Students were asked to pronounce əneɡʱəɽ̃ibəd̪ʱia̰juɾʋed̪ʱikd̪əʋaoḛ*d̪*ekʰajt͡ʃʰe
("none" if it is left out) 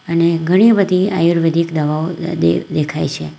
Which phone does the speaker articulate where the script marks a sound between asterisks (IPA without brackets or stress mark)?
d̪